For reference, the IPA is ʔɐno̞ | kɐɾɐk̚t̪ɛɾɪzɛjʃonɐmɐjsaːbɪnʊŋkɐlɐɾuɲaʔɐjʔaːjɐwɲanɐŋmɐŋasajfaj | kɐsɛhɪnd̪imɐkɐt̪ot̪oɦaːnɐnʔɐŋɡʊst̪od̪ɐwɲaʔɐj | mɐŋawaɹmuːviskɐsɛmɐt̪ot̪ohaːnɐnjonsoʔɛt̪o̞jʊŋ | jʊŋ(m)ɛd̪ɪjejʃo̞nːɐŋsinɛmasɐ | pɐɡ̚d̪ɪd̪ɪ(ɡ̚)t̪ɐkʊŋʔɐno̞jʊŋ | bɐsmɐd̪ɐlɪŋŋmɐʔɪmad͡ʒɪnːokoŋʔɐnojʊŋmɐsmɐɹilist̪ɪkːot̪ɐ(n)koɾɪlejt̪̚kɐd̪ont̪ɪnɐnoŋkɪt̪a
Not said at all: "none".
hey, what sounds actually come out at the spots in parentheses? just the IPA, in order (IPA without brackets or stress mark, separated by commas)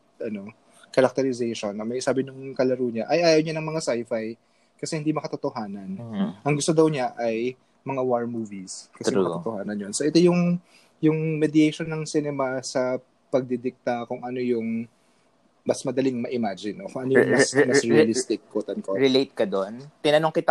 m, k̚, n